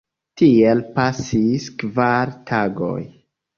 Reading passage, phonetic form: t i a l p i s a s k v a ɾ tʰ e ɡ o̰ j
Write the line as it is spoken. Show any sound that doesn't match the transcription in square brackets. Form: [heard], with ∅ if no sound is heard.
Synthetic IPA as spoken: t i [e] l p [a] s [i] s k v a ɾ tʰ [a] ɡ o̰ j